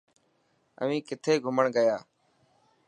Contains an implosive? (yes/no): no